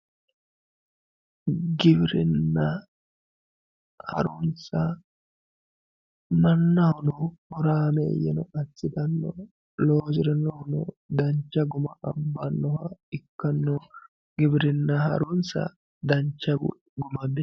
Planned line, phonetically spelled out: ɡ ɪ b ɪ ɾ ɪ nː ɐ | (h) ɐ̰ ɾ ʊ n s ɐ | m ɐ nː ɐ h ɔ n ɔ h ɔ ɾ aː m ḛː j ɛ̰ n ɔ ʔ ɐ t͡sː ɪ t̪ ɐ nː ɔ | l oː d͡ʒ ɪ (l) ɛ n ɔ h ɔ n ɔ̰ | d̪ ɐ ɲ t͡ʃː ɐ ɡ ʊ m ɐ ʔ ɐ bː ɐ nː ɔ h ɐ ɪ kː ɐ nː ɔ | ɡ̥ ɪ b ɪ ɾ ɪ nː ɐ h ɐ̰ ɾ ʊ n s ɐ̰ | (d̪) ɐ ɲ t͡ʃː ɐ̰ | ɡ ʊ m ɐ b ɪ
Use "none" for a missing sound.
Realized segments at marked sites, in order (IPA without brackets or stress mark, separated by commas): h, ɾ, d̪